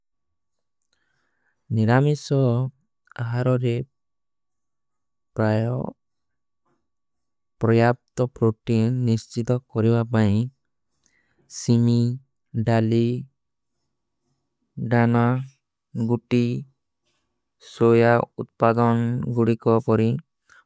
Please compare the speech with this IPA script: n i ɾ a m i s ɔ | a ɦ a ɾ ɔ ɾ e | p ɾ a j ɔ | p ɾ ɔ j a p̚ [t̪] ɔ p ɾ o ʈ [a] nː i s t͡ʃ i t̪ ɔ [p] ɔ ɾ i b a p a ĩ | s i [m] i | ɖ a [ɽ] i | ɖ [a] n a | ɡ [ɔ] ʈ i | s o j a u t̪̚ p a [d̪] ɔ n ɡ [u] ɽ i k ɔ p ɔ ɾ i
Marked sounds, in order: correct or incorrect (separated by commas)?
correct, incorrect, incorrect, correct, incorrect, correct, incorrect, correct, correct